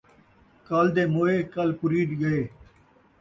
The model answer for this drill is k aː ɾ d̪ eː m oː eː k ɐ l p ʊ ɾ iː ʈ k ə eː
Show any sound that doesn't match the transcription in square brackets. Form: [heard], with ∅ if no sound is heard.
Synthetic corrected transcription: k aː [l] d̪ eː m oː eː k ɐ l p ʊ ɾ iː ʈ [ɡ] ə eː